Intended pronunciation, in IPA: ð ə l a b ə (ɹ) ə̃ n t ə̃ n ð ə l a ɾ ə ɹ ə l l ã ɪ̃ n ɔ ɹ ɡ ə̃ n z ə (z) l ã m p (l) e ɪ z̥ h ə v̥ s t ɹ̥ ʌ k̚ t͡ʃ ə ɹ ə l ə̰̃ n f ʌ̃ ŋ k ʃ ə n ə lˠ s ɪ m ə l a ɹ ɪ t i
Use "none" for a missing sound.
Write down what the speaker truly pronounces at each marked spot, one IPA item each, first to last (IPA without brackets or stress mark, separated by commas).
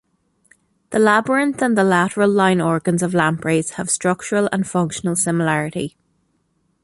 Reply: ɹ, v, ɹ